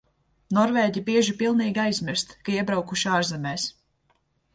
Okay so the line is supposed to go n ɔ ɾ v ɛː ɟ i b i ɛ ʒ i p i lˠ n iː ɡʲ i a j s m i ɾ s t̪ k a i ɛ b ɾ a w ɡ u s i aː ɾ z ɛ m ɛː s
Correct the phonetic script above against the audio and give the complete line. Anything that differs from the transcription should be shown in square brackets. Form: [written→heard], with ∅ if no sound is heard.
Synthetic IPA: n ɔ ɾ v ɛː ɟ i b i ɛ ʒ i p i lˠ n iː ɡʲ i a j [s→z] m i ɾ s t̪ k a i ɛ b ɾ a w [ɡ→k] u [s→ʃ] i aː ɾ z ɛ m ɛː s